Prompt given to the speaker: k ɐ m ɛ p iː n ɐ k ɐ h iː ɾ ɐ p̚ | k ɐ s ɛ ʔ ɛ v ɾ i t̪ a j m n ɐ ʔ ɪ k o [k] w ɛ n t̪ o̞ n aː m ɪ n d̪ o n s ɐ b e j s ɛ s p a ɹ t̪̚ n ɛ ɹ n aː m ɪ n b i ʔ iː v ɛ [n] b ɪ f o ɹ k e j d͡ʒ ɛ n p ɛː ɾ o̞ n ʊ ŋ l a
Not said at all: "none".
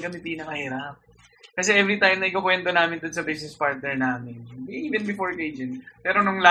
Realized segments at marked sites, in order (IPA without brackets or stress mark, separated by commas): k, n